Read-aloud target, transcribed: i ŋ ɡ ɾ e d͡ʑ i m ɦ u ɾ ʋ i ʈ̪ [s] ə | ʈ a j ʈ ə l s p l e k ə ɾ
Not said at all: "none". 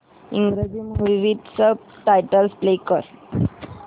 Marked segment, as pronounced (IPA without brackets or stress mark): s